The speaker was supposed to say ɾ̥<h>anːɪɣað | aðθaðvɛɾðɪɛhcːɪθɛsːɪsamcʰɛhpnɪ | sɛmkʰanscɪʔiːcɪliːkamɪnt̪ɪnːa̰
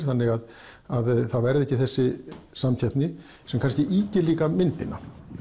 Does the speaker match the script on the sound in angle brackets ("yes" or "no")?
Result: no